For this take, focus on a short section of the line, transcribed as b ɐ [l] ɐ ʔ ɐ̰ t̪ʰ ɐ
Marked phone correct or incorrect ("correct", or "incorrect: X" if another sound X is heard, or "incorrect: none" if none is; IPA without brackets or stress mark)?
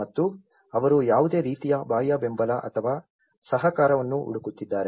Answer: correct